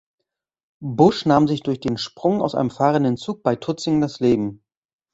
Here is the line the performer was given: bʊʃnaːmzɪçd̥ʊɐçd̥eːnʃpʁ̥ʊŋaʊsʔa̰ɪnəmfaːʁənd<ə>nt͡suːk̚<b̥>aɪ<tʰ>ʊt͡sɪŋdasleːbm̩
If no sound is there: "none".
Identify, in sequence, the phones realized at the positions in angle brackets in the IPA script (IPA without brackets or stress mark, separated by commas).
ə, b̥, tʰ